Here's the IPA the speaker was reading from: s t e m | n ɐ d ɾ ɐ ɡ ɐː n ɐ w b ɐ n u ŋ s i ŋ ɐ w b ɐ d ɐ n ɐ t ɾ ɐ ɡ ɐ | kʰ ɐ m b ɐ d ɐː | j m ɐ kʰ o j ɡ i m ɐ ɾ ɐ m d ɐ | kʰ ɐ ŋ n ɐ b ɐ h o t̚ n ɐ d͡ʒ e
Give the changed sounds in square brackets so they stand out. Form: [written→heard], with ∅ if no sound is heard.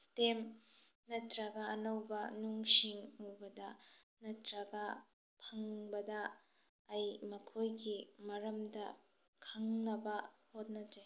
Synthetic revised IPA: s t e m | n ɐ [d→t] ɾ ɐ ɡ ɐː n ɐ w b ɐ n u ŋ s i ŋ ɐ w b ɐ d ɐ n ɐ t ɾ ɐ ɡ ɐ | [kʰ→pʰ] ɐ [m→ŋ] b ɐ d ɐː | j m ɐ kʰ o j ɡ i m ɐ ɾ ɐ m d ɐ | kʰ ɐ ŋ n ɐ b ɐ h o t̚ n ɐ d͡ʒ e